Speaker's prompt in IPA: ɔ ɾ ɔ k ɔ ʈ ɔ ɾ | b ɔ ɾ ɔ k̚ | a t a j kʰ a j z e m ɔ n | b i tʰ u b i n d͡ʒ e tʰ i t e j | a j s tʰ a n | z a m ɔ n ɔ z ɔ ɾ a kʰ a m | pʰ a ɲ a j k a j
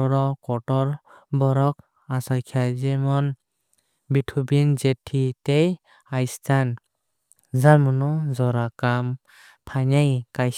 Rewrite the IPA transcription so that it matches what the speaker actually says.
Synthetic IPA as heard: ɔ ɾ ɔ k ɔ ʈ ɔ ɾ | b ɔ ɾ ɔ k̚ | a s a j kʰ a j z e m ɔ n | b i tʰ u b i n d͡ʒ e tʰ i t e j | a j s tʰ a n | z a m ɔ n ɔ z ɔ ɾ a k a m | pʰ a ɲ a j k a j

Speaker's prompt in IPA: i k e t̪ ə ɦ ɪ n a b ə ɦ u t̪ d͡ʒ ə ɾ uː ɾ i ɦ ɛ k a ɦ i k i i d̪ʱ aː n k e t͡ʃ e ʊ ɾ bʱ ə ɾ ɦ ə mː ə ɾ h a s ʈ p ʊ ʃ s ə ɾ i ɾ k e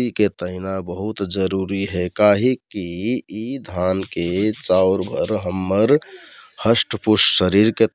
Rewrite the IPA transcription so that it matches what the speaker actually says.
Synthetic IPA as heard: i k e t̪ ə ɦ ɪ n a b ə ɦ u t̪ d͡ʒ ə ɾ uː ɾ i ɦ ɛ k a ɦ i k i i d̪ʱ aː n k e t͡ʃ a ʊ ɾ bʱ ə ɾ ɦ ə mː ə ɾ h ə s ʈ p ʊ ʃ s ə ɾ i ɾ k e

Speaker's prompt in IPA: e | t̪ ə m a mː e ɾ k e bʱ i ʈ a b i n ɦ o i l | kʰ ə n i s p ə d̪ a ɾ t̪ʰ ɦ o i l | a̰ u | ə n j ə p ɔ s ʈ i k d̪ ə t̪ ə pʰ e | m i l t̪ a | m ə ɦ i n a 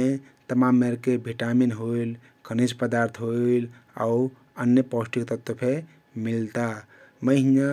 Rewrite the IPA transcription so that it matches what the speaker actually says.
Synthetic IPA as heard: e | t̪ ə m a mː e ɾ k e bʱ i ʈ a m i n ɦ o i l | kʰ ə n i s p ə d̪ a ɾ t̪ʰ ɦ o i l | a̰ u | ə n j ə p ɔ s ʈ i k t̪ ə t̪ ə pʰ e | m i l t̪ a | m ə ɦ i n a

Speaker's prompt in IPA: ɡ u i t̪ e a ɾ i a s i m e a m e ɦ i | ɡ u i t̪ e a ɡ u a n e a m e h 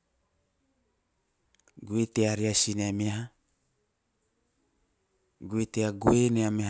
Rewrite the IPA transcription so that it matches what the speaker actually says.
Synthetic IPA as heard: ɡ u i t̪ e a ɾ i a s i n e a m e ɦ a | ɡ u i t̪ e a ɡ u e n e a m e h

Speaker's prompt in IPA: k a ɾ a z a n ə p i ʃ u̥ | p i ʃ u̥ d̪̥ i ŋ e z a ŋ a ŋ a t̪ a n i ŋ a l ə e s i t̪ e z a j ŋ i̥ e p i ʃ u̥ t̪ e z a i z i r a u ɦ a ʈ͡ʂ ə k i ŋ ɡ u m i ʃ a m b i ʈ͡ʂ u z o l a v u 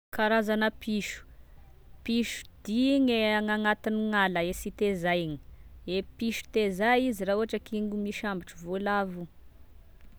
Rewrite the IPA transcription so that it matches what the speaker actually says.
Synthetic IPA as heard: k a ɾ a z a n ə p i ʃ u̥ | p i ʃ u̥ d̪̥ i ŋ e a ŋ a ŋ a t̪ i n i ŋ a l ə e s i t̪ e z a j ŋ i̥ e p i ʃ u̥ t̪ e z a i z i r a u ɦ a ʈ͡ʂ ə k i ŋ ɡ u m i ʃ a m b i ʈ͡ʂ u v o l a v u

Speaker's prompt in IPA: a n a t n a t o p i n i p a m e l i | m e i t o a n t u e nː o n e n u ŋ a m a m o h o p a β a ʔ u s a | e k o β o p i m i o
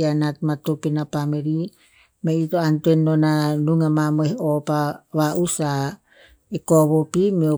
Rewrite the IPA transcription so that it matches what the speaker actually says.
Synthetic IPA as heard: a n a t m a t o p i n a p a m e ɾ i | m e i t o a n t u e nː o n a n u ŋ a m a m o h o p a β a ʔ u s a | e k o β o p i m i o

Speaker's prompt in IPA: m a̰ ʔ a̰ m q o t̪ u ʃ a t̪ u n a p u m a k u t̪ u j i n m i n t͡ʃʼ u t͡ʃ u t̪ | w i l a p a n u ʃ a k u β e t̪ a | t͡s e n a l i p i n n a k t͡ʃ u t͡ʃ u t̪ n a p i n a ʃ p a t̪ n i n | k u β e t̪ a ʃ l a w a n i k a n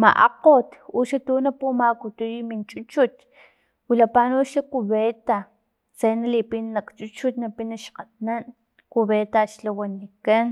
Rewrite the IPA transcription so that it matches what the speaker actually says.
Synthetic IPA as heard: m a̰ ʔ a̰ q o t̪ u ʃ a t̪ u n a p u m a k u t̪ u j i m i n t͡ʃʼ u t͡ʃ u t̪ | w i l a p a n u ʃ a k u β e t̪ a | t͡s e n a l i p i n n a k t͡ʃ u t͡ʃ u t̪ n a p i n a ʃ q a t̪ n a n | k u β e t̪ a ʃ l a w a n i k a n

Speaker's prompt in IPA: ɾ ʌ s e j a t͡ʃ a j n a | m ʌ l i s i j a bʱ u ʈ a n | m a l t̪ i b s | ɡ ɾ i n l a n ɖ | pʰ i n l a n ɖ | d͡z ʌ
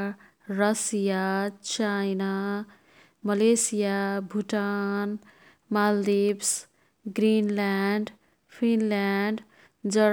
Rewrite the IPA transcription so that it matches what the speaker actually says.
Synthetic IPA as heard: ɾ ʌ s i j a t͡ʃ a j n a | m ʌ l e s i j a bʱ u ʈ a n | m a l d̪ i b s | ɡ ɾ i n l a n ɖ | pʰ i n l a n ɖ | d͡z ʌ

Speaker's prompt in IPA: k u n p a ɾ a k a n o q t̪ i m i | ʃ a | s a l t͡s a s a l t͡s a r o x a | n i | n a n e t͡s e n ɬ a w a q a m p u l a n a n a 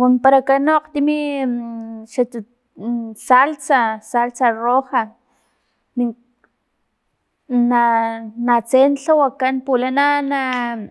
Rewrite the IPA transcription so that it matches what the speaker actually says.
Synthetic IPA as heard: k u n p a ɾ a k a n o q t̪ i m i | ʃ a | s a l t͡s a s a l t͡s a r o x a | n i | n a n a t͡s e n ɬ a w a k a n p u l a n a n a

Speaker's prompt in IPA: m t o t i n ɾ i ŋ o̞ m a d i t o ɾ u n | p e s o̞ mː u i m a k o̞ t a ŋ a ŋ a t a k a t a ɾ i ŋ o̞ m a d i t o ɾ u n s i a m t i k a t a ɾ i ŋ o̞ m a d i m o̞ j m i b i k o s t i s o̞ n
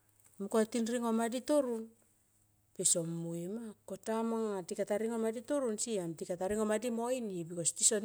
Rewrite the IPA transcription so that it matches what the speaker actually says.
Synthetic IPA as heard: m k o t i n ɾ i ŋ o̞ m a d i t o ɾ u n | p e s o̞ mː u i m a k o̞ t a m a ŋ a t i k a t a ɾ i ŋ o̞ m a d i t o ɾ u n s i a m t i k a t a ɾ i ŋ o̞ m a d i m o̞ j n i b i k o s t i s o̞ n

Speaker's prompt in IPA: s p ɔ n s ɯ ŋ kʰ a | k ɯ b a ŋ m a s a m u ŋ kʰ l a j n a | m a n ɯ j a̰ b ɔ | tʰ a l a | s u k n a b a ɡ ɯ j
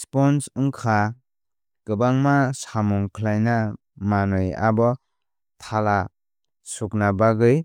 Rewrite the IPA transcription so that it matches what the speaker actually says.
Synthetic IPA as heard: s p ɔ n s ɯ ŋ kʰ a | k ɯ b a ŋ m a s a m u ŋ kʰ l a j n a | m a n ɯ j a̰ b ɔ | tʰ a l a | s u k n a b a ɡ ɯ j

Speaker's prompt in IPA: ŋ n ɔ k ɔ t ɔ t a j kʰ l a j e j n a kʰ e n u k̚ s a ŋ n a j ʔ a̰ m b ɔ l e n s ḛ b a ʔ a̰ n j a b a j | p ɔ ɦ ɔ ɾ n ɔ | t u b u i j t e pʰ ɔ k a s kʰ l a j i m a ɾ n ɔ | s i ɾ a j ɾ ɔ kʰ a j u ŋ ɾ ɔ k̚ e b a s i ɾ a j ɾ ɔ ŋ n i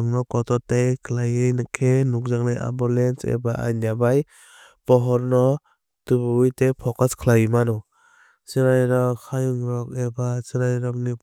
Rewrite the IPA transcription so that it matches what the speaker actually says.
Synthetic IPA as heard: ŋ n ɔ k ɔ t ɔ t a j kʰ l a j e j n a kʰ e n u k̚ z a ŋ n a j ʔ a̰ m b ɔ l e n s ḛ b a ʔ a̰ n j a b a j | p ɔ ɦ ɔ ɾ n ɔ | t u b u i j t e pʰ ɔ k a s kʰ l a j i m a n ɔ | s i ɾ a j ɾ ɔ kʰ a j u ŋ ɾ ɔ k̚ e b a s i ɾ a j ɾ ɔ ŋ n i

